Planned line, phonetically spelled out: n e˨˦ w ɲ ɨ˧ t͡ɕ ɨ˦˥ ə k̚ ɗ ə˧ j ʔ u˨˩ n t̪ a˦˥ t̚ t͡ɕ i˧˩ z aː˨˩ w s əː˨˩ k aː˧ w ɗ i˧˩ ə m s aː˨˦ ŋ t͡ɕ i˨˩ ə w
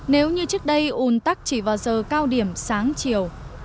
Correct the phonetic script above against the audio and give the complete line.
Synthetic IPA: n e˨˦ w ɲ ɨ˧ t͡ɕ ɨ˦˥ ə k̚ ɗ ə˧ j ʔ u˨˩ n t̪ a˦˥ k̚ t͡ɕ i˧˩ v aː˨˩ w z əː˨˩ k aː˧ w ɗ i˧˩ ə m s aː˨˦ ŋ t͡ɕ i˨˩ ə w